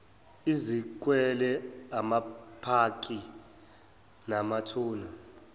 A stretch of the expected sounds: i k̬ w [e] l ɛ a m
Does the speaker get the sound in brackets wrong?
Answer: yes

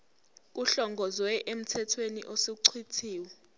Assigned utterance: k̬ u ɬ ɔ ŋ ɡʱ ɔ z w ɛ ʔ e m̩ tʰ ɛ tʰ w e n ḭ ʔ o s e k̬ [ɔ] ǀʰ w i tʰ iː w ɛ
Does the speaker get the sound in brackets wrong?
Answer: yes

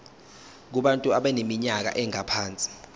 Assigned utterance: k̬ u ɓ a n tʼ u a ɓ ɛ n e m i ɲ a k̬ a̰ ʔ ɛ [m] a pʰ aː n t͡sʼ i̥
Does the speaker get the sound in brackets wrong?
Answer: yes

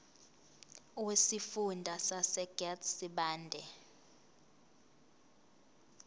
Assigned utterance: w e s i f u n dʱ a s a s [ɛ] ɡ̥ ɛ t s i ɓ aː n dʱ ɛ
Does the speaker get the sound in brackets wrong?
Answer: no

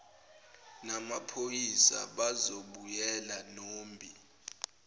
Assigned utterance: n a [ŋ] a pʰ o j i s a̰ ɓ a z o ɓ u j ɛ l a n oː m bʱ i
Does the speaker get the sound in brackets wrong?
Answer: yes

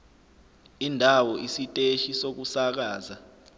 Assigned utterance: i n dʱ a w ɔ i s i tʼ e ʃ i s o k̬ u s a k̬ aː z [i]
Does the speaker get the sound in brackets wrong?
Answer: yes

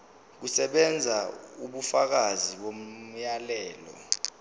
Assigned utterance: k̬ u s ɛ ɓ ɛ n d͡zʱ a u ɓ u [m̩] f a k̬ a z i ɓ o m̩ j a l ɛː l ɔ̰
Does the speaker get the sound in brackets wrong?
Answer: yes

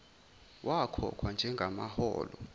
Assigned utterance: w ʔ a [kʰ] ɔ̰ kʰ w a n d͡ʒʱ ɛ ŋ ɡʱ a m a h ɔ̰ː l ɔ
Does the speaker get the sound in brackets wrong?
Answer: no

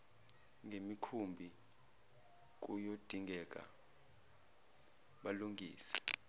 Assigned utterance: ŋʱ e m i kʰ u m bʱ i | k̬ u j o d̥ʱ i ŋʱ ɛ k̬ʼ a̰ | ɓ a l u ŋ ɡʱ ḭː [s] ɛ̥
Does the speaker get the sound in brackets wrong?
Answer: no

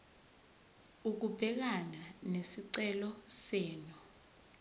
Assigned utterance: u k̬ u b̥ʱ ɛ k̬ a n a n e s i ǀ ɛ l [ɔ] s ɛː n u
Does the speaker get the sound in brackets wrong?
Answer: no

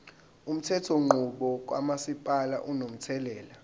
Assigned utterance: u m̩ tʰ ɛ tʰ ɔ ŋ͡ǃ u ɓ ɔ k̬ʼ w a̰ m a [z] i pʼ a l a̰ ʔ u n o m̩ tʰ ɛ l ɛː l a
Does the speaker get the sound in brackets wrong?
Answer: yes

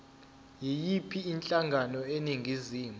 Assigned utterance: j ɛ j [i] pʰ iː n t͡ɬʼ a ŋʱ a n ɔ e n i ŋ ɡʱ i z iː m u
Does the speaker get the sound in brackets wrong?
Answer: no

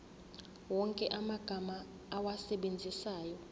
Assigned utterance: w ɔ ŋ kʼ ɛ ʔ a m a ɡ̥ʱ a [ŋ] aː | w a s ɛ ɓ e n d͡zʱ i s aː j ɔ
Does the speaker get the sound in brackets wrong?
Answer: yes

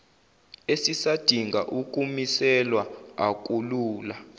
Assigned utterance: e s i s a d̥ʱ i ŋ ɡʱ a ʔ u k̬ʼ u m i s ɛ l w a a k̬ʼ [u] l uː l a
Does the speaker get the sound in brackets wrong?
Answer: no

